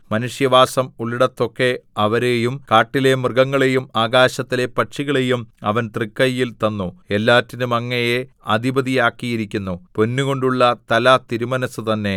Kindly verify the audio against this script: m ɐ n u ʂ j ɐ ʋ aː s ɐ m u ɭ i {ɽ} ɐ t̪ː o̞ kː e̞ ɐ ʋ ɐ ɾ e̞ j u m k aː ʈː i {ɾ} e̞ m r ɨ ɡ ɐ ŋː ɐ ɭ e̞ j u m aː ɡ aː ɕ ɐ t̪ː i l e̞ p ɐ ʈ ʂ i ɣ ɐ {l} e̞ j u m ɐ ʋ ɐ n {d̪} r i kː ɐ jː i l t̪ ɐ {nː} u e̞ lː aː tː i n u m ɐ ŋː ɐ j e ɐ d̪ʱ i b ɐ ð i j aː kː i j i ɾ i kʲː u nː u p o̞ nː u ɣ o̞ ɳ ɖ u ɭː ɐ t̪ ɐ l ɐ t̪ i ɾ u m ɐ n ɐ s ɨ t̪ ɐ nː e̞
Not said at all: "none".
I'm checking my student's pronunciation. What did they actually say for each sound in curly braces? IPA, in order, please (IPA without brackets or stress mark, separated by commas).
ɽ, l, ɭ, t̪, nː